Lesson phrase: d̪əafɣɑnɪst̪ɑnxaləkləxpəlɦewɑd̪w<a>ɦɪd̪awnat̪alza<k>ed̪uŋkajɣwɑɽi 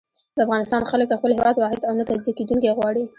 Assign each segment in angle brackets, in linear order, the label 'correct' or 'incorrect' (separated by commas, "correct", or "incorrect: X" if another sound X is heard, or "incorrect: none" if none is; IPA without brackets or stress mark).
incorrect: ɑ, correct